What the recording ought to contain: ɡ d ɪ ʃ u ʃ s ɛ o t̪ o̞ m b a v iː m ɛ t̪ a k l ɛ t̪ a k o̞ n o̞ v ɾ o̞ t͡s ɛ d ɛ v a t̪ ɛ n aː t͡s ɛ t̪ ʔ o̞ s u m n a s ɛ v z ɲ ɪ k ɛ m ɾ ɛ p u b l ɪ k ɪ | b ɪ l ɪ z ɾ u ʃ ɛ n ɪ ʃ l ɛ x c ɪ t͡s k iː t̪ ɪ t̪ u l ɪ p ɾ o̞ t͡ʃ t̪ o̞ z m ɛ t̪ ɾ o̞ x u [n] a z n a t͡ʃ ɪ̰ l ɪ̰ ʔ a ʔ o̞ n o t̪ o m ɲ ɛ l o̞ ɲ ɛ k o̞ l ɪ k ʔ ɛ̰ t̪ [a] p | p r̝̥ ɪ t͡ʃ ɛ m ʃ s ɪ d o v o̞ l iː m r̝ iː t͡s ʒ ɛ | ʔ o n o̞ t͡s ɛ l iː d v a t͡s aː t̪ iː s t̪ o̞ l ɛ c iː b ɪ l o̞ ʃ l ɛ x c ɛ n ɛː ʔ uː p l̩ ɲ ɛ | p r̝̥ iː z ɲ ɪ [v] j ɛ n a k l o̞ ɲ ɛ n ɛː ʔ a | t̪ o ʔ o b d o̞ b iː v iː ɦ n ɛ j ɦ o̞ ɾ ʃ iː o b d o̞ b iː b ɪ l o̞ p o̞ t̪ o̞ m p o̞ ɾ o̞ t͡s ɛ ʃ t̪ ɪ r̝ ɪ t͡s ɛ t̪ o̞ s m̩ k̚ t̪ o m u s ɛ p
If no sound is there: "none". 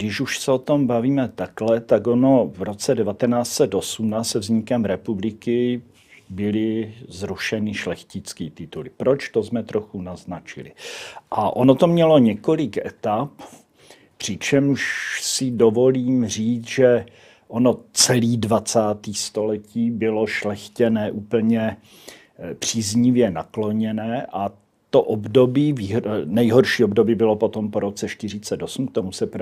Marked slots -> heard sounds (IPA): n, a, v

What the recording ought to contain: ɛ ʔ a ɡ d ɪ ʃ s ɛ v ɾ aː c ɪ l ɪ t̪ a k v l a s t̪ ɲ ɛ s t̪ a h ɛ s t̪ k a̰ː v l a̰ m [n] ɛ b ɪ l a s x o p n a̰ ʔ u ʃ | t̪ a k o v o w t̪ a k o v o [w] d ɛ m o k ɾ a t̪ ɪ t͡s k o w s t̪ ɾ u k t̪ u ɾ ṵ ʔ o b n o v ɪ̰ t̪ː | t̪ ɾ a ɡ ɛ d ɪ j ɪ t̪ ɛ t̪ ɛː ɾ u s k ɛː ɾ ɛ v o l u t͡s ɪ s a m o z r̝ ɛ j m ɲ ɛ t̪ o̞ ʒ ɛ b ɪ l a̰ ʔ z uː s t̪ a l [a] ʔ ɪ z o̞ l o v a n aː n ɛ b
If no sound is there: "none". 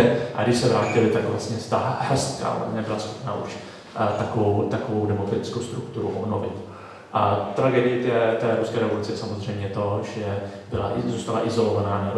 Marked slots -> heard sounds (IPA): ɲ, w, a

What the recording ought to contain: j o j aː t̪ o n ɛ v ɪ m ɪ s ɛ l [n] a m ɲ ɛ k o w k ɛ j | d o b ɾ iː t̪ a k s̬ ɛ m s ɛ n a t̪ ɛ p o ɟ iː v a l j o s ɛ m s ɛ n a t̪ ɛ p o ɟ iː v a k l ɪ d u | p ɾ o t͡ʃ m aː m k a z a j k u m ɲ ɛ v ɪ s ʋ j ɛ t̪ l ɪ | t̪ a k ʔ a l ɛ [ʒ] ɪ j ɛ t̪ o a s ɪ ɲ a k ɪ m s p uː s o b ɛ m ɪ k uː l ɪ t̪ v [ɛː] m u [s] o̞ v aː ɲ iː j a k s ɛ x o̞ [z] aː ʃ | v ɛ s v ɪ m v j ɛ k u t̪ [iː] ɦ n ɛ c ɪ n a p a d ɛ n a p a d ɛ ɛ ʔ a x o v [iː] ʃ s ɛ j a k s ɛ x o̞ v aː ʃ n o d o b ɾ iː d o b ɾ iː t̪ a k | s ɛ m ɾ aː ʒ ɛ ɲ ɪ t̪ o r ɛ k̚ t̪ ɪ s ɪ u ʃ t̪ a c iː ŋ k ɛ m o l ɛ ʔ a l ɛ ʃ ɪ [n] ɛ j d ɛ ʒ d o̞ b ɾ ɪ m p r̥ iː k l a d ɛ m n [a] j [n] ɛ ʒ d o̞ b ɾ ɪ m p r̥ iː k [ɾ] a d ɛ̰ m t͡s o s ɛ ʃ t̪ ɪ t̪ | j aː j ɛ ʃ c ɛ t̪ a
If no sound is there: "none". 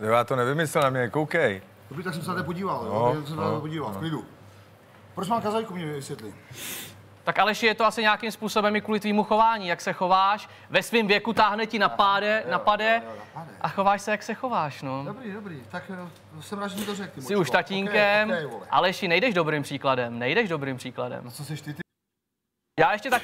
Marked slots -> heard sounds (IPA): n, ʃ, iː, x, v, aː, aː, n, ɛ, d, l

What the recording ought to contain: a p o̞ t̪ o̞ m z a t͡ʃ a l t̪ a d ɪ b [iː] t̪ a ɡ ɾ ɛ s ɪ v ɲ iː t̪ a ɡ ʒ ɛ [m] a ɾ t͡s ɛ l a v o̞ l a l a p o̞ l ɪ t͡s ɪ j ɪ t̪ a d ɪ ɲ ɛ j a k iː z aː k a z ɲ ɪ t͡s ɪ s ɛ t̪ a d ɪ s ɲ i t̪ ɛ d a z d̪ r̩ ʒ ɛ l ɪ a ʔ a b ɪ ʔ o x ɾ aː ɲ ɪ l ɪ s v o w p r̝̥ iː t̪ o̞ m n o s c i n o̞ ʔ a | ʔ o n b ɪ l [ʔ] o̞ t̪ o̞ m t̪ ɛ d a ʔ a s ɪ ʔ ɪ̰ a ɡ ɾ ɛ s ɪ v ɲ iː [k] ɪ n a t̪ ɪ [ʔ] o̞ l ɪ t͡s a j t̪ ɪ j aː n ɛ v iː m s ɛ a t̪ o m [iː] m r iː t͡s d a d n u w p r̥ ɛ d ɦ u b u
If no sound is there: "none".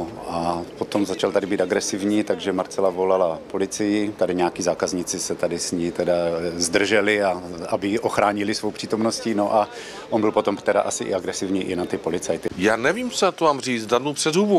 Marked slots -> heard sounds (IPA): iː, m, p, ʔ, p, aː

